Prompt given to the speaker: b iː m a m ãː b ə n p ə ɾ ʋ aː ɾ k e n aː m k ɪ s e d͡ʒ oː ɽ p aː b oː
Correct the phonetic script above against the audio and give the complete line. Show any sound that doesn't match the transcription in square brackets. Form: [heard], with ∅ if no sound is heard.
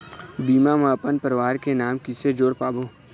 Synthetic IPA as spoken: b iː m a m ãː [p] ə n p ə ɾ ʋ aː ɾ k e n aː m k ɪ s e d͡ʒ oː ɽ p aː b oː